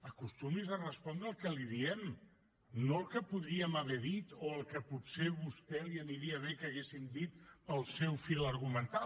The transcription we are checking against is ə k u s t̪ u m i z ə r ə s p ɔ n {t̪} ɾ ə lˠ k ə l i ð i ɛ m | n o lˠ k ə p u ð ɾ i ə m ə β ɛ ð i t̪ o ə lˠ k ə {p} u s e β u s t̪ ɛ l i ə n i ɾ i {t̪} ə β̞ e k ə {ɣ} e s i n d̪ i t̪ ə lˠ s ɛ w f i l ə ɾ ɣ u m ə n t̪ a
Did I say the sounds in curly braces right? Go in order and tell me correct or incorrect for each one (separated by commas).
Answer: incorrect, correct, incorrect, correct